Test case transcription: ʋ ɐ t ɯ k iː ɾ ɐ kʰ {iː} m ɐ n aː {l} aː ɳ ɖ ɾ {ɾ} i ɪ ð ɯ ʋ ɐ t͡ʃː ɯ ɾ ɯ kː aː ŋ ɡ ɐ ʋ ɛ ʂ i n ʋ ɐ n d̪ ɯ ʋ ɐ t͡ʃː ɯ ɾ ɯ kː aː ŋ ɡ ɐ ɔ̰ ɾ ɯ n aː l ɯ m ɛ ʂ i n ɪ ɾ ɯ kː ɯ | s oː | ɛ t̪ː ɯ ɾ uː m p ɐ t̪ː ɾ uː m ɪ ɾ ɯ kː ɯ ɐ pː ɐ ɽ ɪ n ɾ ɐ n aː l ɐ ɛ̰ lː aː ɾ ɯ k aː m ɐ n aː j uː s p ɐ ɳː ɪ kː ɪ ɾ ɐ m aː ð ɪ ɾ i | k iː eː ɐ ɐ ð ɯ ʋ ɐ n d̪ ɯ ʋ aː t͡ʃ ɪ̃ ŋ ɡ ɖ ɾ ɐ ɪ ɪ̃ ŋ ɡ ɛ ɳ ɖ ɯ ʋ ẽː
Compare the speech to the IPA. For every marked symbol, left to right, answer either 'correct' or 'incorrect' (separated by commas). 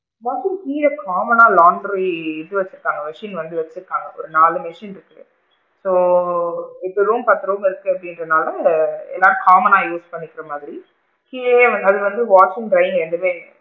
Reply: incorrect, correct, correct